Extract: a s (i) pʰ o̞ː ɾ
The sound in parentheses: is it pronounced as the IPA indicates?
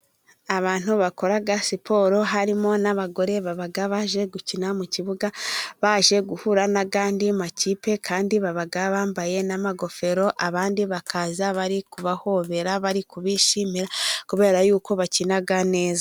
yes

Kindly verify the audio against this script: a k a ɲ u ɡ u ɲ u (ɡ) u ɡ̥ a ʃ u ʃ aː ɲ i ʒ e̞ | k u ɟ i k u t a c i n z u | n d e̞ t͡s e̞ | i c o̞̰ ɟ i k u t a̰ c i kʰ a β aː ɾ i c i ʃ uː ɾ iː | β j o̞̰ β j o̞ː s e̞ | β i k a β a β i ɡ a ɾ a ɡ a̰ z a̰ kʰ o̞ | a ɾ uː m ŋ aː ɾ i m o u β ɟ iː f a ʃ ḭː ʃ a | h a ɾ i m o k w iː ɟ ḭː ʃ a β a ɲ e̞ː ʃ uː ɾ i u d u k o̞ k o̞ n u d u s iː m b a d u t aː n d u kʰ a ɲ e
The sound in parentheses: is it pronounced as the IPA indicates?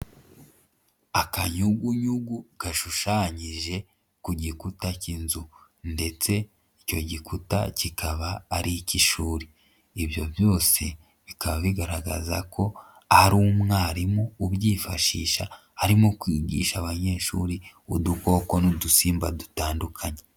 yes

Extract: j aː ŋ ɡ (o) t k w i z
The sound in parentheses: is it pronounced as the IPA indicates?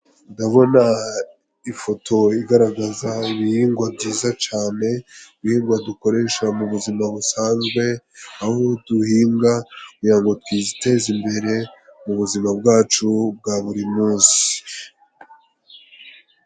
yes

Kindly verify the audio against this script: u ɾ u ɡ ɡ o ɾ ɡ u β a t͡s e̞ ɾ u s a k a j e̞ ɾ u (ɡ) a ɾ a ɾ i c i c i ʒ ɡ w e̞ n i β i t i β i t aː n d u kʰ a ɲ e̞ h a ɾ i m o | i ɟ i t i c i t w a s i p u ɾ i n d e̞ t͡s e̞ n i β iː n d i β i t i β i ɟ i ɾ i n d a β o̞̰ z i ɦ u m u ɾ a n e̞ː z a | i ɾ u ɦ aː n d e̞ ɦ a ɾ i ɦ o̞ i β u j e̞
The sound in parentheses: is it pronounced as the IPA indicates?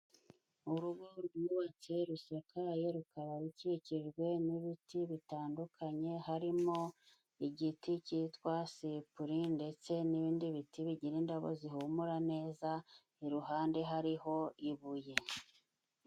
no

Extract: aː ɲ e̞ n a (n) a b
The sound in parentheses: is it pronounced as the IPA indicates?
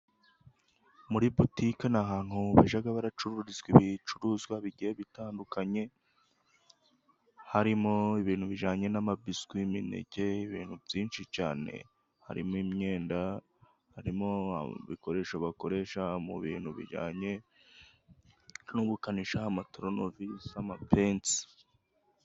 no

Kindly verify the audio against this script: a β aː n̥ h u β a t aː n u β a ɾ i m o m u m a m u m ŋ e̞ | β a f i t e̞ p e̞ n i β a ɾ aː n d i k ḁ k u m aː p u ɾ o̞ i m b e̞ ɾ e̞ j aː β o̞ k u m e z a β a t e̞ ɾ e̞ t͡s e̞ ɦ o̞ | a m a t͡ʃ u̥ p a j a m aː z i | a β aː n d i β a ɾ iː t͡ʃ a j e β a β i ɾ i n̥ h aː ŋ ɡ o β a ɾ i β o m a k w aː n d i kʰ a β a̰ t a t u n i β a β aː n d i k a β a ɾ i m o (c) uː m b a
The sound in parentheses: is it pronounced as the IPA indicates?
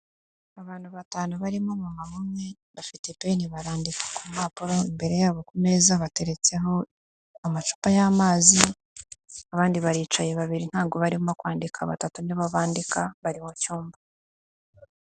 yes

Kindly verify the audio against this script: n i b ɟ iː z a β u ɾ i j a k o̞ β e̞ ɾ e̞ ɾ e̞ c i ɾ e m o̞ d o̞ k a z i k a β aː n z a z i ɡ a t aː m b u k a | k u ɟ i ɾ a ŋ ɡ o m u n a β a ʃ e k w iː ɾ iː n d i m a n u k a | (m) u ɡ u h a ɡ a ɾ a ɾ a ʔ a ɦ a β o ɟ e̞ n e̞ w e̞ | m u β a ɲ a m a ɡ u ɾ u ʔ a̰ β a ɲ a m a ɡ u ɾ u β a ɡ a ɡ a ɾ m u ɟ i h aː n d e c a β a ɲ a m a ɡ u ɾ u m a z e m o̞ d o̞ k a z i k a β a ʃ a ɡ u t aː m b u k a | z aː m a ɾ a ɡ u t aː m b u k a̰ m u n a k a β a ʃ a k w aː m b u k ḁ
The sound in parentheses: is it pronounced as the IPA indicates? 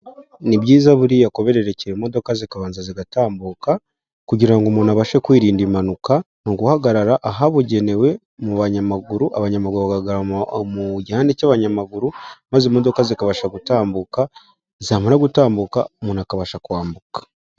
no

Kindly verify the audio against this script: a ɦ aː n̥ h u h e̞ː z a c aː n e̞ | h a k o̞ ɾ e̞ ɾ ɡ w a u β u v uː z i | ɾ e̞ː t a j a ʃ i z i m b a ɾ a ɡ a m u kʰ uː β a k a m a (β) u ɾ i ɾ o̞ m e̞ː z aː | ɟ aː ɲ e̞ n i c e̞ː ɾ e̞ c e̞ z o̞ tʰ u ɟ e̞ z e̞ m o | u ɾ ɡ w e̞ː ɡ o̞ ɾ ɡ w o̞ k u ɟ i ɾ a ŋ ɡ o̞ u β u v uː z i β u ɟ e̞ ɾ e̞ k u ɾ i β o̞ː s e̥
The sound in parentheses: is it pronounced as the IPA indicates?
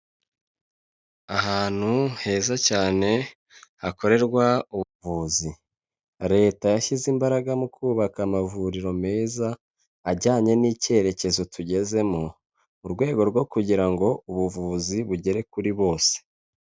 no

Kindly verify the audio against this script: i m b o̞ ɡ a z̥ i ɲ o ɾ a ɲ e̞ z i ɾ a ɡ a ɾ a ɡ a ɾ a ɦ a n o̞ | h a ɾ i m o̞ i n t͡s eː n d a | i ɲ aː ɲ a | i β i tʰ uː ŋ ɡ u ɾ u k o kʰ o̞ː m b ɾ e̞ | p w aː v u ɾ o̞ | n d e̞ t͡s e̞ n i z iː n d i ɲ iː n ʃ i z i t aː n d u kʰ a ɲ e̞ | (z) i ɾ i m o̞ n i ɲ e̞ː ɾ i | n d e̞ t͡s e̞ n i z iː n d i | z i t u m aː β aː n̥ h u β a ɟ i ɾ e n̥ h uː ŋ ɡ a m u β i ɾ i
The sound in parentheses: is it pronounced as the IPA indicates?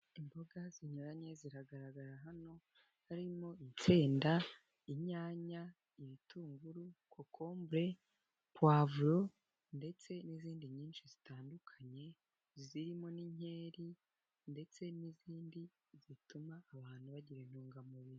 yes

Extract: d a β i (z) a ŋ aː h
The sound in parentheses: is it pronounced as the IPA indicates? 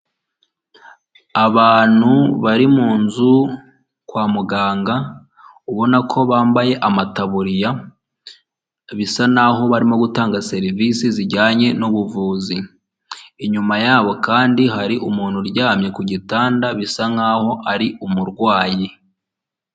no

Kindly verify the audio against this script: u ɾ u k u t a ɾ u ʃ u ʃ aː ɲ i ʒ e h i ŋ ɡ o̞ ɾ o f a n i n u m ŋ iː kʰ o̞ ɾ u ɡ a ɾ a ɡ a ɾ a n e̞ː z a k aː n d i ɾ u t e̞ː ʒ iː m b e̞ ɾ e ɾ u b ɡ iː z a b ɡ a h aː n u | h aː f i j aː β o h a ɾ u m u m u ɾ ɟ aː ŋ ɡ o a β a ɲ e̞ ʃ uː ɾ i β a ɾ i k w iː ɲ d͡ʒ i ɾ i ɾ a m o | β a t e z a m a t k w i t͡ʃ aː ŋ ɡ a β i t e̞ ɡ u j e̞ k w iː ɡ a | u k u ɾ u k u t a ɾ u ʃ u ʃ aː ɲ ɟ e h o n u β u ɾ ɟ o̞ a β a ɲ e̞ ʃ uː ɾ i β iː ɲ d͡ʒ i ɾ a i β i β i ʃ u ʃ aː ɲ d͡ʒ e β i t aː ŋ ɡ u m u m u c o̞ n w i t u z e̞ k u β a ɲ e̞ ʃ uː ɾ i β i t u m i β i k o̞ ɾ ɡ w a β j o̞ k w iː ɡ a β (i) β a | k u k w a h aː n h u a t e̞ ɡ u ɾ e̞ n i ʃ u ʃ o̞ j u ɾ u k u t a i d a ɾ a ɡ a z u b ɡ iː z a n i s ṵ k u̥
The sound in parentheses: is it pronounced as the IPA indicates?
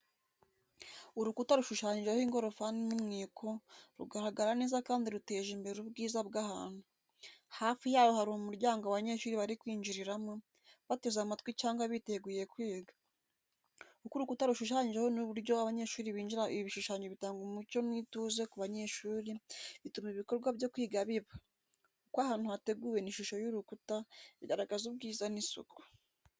yes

